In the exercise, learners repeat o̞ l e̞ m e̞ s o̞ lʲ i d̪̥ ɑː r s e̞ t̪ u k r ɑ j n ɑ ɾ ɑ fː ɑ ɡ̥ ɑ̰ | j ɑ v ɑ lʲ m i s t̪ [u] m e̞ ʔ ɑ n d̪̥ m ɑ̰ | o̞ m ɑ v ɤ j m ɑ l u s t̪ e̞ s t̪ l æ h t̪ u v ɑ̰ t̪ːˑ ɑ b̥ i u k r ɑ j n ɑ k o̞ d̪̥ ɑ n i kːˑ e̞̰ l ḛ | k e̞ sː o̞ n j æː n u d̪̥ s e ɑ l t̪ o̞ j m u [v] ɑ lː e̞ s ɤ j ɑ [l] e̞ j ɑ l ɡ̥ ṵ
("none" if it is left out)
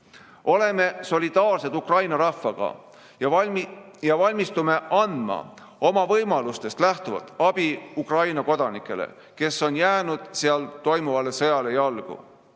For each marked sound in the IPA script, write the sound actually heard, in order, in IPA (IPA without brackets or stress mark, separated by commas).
u, v, l